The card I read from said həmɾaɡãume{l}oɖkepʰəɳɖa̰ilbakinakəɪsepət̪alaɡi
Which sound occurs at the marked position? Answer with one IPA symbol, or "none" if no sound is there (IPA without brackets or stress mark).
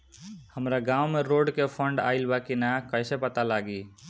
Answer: ɾ